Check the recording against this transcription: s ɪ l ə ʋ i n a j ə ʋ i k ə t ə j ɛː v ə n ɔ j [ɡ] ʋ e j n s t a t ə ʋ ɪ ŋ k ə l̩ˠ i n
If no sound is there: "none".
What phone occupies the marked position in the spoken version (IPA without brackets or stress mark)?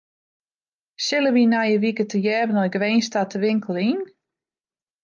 ɡ